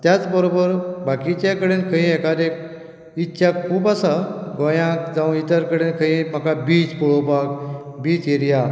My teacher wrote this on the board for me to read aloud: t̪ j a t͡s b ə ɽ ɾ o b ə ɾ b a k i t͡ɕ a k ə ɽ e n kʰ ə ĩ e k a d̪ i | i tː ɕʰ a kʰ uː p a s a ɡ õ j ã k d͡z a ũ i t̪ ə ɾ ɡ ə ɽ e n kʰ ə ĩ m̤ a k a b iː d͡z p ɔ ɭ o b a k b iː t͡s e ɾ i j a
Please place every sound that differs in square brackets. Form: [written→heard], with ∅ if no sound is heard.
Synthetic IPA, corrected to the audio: t̪ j a t͡s b ə [ɽ→∅] ɾ o b ə ɾ b a k i t͡ɕ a k ə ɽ e n kʰ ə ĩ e k a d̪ [i→e] | i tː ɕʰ a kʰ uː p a s a ɡ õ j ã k d͡z a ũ i t̪ ə ɾ [ɡ→k] ə ɽ e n kʰ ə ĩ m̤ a k a b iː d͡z p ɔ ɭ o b a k b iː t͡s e ɾ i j a

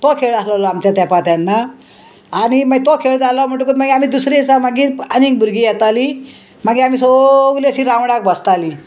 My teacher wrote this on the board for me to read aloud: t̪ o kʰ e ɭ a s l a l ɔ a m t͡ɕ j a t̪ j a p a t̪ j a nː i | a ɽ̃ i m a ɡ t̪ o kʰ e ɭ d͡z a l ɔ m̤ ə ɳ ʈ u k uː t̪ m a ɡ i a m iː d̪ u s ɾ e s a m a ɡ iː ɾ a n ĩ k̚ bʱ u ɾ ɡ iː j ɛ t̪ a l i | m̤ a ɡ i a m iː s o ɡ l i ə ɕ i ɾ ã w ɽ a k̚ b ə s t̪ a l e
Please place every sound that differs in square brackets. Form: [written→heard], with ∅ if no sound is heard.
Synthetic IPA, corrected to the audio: t̪ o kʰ e ɭ a s l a l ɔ a m t͡ɕ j a t̪ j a p a t̪ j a nː [i→a] | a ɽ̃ i m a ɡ t̪ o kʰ e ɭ d͡z a l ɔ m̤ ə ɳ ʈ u k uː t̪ m a ɡ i a m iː d̪ u s ɾ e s a m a ɡ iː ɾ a n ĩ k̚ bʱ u ɾ ɡ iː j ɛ t̪ a l i | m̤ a ɡ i a m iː s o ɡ l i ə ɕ i ɾ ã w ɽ a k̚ b ə s t̪ a l [e→i]

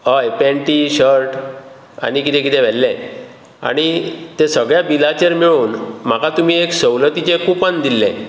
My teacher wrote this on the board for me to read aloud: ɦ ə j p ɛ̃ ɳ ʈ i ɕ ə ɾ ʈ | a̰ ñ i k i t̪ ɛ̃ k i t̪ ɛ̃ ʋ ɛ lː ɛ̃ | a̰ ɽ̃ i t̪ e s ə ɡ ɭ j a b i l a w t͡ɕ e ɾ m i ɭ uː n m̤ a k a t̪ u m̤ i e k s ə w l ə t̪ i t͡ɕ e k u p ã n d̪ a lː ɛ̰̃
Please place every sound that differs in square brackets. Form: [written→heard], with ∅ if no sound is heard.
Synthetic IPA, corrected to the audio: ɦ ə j p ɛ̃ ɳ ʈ i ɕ ə ɾ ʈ | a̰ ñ i k i t̪ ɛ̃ k i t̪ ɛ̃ ʋ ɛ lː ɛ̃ | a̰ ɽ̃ i t̪ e s ə ɡ ɭ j a b i l a [w→∅] t͡ɕ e ɾ m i ɭ uː n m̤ a k a t̪ u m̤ i e k s ə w l ə t̪ i t͡ɕ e k u p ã n d̪ [a→i] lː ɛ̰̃

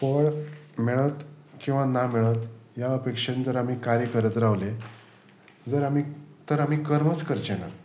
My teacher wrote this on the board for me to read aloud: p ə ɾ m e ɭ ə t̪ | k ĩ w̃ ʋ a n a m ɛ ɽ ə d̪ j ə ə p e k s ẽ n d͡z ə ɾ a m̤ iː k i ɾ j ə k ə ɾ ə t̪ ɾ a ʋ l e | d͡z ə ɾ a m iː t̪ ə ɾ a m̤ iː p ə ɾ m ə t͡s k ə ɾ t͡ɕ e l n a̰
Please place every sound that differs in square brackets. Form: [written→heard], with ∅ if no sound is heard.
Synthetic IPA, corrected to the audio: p ə [ɾ→ɭ] m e ɭ ə t̪ | k ĩ w̃ ʋ a n a m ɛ [ɽ→ɭ] ə [d̪→t̪] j [ə→a] ə p e k [s→ʂ] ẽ n d͡z ə ɾ a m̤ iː k [i→a] ɾ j ə k ə ɾ ə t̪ ɾ a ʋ l e | d͡z ə ɾ a m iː t̪ ə ɾ a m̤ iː [p→k] ə ɾ m ə t͡s k ə ɾ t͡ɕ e [l→∅] n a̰

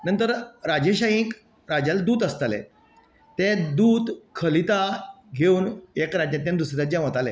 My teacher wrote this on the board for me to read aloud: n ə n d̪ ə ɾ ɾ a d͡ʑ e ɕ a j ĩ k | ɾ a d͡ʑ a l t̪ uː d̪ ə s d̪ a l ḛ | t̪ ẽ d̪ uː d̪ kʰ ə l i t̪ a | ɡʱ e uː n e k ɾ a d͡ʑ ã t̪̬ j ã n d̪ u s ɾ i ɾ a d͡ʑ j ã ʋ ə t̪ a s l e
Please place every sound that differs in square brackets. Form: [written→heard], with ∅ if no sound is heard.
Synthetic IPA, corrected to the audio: n ə n [d̪→t̪] ə ɾ ɾ a d͡ʑ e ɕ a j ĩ k | ɾ a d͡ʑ a l [t̪→d̪] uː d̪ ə s [d̪→t̪] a l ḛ | t̪ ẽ d̪ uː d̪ kʰ ə l i t̪ a | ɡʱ e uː n e k ɾ a d͡ʑ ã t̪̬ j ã n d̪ u s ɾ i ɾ a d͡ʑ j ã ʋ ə t̪ a [s→∅] l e

